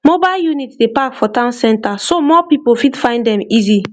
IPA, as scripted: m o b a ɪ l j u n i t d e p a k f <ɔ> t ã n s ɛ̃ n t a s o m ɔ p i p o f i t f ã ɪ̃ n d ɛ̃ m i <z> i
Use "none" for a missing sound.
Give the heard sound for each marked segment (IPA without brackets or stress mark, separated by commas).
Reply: ɔ, z